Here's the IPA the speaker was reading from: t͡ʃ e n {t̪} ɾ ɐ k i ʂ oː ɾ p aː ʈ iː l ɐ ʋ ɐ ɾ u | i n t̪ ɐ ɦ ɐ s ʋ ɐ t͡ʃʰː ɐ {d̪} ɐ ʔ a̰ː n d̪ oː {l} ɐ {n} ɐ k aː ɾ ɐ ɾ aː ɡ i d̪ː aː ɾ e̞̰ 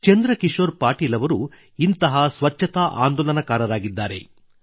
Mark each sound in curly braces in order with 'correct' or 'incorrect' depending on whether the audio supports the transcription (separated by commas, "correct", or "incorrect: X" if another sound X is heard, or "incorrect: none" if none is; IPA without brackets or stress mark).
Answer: incorrect: d̪, incorrect: t̪, correct, correct